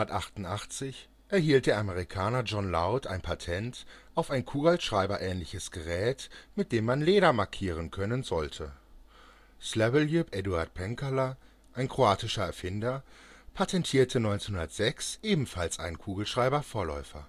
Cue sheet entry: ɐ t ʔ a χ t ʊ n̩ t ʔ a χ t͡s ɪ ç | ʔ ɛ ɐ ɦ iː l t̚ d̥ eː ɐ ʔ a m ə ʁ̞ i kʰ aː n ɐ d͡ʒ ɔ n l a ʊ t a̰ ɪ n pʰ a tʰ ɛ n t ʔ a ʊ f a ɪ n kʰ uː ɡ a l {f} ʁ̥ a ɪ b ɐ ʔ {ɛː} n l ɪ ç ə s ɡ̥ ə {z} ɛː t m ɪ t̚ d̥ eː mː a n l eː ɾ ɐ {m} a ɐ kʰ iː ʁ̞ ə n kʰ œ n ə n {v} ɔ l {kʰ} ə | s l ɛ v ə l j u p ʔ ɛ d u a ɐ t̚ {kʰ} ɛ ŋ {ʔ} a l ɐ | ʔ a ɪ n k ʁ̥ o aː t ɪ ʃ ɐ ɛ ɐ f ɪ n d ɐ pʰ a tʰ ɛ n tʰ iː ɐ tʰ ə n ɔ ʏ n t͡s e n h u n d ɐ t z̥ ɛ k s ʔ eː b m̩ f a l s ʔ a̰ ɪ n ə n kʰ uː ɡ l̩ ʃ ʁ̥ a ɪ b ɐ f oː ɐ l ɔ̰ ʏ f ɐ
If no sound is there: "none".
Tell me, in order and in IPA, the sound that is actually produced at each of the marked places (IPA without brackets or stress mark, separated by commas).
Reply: ʃ, ɛː, ʁ, m, z, tʰ, pʰ, k